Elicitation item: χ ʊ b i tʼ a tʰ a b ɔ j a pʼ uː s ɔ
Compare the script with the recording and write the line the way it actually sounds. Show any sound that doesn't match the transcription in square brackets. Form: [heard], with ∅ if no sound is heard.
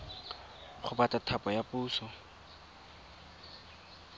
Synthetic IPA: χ ʊ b [a] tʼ a tʰ a [p] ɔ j a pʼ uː s ɔ

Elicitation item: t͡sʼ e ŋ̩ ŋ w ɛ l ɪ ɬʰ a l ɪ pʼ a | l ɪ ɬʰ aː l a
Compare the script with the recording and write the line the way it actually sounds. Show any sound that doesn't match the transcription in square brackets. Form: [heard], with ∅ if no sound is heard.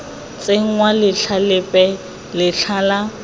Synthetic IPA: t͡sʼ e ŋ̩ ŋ w [a] l ɪ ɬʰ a l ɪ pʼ [ɛ] | l ɪ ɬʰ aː l a

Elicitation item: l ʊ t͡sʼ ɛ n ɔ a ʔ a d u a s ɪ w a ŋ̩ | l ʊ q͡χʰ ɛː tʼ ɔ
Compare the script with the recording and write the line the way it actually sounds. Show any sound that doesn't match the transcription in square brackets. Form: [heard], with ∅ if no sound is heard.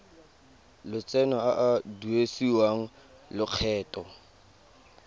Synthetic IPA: l ʊ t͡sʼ ɛ n ɔ a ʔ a d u [e] s [i] w a ŋ̩ | l ʊ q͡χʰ ɛː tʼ ɔ

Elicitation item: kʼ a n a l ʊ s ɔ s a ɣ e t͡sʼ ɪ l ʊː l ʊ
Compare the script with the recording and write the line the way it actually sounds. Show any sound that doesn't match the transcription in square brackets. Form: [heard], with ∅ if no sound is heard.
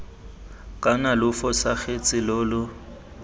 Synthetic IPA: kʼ a n a l ʊ [f] ɔ s a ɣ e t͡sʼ ɪ l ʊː l ʊ

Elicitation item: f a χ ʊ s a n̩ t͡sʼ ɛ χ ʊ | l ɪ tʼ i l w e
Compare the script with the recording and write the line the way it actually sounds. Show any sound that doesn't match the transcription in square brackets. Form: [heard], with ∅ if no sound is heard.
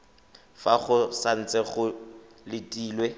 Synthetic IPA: f a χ ʊ s a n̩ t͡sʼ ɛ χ ʊ | l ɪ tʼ [iː] l w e

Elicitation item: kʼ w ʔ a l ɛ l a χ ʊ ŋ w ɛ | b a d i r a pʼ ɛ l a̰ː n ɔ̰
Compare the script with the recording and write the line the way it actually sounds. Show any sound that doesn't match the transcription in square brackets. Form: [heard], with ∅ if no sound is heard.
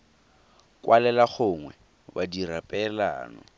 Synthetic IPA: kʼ w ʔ a l ɛ l a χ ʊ ŋ w ɛ | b a d i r a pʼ ɛ l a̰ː n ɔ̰

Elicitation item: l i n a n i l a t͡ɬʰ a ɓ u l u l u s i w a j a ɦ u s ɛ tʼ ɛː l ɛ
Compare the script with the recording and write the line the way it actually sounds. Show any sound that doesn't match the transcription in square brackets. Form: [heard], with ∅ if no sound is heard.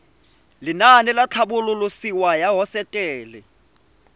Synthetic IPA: l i n a n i l a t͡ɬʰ a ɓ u l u l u s i w a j a ɦ [ɔ] s ɛ tʼ ɛː l ɛ

